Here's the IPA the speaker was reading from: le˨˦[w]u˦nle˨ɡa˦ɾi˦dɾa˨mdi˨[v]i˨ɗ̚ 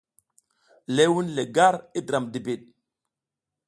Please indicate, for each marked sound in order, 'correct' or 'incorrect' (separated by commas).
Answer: correct, incorrect